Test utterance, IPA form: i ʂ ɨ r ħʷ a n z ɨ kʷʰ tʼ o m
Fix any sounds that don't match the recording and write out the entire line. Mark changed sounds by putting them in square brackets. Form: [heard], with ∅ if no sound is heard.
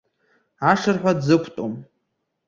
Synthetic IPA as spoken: [a] ʂ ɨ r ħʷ a [d] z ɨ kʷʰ tʼ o m